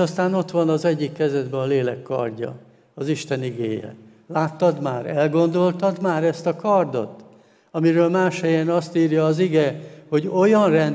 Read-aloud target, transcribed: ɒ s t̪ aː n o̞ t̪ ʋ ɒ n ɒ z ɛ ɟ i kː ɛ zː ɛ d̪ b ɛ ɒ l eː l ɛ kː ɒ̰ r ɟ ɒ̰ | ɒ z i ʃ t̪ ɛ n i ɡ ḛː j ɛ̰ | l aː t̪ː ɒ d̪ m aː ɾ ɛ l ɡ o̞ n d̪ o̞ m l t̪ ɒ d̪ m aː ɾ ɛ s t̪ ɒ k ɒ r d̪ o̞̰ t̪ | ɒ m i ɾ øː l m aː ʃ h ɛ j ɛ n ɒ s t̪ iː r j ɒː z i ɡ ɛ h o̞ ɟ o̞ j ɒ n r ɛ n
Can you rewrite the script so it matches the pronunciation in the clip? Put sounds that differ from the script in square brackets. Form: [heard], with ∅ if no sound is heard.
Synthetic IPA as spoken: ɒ s t̪ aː n o̞ t̪ ʋ ɒ n ɒ z ɛ [ɟː] i kː ɛ [z] ɛ d̪ b ɛ ɒ l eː l ɛ kː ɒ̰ r ɟ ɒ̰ | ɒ z i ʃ t̪ ɛ n i ɡ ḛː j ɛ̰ | l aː t̪ː ɒ d̪ m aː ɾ ɛ l ɡ o̞ n d̪ o̞ [∅] l t̪ ɒ d̪ m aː ɾ ɛ s t̪ ɒ k ɒ r d̪ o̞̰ t̪ | ɒ m i ɾ øː l m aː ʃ h ɛ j ɛ n ɒ s t̪ iː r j ɒː z i ɡ ɛ h o̞ ɟ o̞ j ɒ n r ɛ n